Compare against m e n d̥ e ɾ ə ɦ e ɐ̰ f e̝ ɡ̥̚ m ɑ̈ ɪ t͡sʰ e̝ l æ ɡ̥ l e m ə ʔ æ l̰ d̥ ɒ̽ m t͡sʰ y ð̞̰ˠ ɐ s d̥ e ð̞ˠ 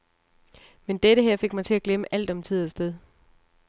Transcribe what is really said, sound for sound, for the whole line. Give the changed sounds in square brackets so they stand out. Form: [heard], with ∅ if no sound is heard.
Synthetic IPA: m e n d̥ e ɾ ə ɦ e ɐ̰ f e̝ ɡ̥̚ m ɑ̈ ɪ t͡sʰ e̝ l æ ɡ̥ l e m ə ʔ æ l̰ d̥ ɒ̽ m t͡sʰ [i] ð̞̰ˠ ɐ s d̥ e ð̞ˠ